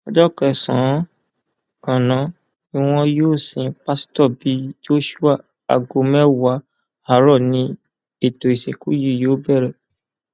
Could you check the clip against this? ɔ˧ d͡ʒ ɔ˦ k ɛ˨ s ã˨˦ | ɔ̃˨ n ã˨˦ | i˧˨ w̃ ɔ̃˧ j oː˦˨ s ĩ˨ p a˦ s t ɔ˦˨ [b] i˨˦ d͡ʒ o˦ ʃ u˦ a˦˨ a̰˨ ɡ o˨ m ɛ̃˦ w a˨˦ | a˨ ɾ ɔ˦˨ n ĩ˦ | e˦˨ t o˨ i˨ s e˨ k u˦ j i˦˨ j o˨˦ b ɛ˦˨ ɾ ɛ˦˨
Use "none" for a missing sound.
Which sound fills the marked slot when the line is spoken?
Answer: b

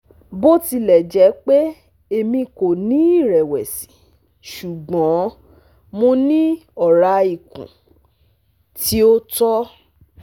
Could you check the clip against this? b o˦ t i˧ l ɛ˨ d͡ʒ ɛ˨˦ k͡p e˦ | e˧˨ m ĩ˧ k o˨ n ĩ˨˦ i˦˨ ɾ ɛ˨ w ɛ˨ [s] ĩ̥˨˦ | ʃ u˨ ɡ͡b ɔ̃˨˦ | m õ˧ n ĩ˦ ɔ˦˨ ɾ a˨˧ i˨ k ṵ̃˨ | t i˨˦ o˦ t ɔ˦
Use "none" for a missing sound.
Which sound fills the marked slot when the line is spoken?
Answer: s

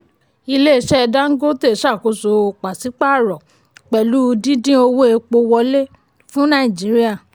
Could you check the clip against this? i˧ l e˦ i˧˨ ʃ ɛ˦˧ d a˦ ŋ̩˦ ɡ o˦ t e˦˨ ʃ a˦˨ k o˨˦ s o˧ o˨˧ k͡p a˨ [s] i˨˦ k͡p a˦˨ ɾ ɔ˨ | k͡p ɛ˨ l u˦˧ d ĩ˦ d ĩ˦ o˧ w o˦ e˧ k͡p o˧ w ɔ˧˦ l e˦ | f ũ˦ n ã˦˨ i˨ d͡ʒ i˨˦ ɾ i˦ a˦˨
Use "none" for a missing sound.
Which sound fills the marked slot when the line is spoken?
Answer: s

